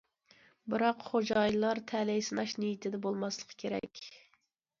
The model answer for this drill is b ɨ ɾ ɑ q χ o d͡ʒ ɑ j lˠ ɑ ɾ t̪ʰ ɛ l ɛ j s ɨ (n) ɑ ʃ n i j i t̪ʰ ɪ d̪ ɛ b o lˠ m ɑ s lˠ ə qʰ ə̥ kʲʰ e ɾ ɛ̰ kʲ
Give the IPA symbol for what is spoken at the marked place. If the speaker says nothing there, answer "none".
n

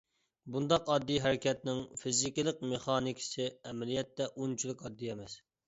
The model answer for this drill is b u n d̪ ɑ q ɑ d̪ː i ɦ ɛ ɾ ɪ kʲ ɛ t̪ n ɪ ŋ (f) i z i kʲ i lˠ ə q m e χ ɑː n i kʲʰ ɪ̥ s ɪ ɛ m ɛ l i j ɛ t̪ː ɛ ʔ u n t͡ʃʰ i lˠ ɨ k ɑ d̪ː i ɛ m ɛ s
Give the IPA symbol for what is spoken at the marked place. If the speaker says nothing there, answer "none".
f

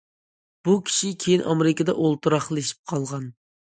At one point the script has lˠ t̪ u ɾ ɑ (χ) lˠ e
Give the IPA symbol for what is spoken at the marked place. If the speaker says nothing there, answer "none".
χ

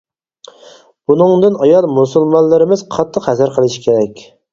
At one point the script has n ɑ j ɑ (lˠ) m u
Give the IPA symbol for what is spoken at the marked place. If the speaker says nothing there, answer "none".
lˠ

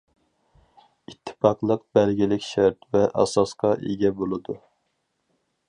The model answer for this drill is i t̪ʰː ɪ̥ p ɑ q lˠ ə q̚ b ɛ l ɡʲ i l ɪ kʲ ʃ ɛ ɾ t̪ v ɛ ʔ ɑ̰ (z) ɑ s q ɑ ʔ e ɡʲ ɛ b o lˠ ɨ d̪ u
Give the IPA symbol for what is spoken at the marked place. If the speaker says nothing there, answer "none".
s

